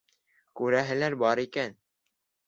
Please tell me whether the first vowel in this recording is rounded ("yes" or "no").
yes